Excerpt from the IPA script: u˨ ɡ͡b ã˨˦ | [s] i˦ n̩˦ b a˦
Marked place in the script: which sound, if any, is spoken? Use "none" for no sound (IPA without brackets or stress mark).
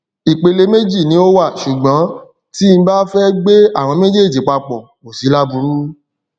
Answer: t